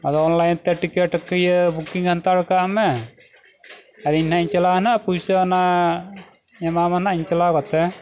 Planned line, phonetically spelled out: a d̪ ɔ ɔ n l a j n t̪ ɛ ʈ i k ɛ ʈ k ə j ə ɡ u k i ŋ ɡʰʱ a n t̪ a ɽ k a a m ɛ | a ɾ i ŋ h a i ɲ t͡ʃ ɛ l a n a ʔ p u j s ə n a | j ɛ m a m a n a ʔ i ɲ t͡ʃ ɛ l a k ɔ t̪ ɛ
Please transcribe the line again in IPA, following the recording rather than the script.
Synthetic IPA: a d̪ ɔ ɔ n l a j n t̪ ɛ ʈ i k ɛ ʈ k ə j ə b u k i ŋ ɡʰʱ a n t̪ a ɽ k a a m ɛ | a ɾ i ɲ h a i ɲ t͡ʃ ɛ l a n a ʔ p u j s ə n a | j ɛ m a m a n a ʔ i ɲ t͡ʃ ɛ l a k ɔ t̪ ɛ